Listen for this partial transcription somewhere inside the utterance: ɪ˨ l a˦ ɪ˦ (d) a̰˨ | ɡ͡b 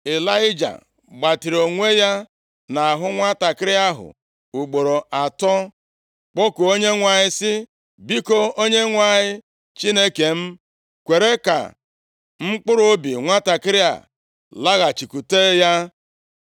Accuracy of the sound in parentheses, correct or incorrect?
incorrect